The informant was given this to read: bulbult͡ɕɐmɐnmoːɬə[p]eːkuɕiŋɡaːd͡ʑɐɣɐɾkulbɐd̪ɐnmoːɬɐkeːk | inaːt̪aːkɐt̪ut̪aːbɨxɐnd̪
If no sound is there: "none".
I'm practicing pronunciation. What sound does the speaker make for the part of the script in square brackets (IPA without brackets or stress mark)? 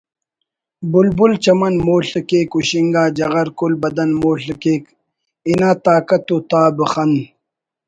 k